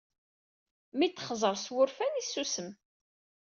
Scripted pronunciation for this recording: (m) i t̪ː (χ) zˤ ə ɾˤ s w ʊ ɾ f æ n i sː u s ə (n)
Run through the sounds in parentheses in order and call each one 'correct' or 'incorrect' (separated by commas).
correct, correct, incorrect